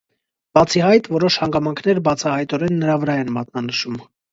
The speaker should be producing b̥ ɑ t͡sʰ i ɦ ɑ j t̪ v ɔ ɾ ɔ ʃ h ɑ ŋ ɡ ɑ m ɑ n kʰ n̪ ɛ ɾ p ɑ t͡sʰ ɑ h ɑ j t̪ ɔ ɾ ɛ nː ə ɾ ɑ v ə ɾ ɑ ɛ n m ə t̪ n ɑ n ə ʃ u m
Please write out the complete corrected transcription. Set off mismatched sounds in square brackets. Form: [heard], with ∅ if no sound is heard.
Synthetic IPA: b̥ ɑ t͡sʰ i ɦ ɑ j t̪ v ɔ ɾ ɔ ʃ h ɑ ŋ ɡ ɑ m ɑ [ŋ] kʰ n̪ ɛ ɾ [b] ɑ t͡sʰ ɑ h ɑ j t̪ ɔ ɾ ɛ nː ə ɾ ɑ v ə ɾ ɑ ɛ n m [ɑ] t̪ n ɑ n ə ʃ u m